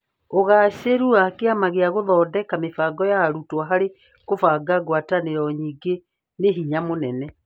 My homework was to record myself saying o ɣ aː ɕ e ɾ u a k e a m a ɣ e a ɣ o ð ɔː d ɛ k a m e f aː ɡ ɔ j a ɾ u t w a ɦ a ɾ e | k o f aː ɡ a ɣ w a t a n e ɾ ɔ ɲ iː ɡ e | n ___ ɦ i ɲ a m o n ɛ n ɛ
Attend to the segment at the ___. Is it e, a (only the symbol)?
e